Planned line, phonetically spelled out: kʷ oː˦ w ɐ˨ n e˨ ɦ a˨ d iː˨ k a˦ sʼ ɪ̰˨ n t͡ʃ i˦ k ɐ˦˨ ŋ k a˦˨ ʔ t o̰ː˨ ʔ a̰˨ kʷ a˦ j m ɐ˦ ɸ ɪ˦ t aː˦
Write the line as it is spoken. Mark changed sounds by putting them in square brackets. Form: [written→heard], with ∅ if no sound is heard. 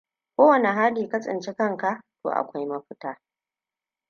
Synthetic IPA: kʷ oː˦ w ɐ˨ n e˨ ɦ [a˨→a˦] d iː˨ k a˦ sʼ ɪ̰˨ n t͡ʃ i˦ k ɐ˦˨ ŋ k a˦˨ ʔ t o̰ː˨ ʔ a̰˨ kʷ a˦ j m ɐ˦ ɸ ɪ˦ t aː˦